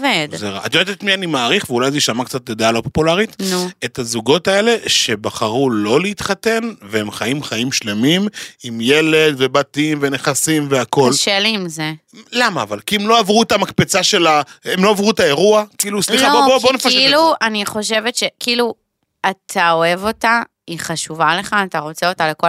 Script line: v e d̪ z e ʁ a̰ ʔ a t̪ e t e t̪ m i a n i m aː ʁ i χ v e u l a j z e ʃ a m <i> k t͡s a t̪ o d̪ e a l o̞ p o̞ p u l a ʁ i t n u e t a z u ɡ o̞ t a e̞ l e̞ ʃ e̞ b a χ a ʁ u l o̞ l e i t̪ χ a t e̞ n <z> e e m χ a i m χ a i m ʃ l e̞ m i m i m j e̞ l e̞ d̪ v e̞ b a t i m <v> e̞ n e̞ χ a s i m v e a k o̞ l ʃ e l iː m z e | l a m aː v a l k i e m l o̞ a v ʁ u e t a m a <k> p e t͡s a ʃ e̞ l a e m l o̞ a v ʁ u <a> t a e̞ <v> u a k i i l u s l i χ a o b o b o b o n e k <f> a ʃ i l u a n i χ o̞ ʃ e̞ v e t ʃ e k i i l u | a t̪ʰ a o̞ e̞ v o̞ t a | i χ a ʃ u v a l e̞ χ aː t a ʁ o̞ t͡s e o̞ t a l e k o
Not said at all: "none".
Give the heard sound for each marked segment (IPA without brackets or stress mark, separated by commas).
a, v, v, k, e, ʁ, f